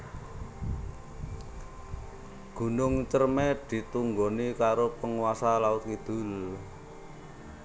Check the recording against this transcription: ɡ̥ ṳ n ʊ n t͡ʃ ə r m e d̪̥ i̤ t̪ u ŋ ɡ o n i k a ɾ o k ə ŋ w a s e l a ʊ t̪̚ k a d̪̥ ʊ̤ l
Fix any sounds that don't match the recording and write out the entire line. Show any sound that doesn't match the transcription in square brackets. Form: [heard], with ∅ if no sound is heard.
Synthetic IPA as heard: ɡ̥ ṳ n ʊ [ŋ] t͡ʃ ə r m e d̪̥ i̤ t̪ u ŋ ɡ o n i k a ɾ o [p] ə ŋ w a s [a] l a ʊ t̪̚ k [i] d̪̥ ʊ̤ l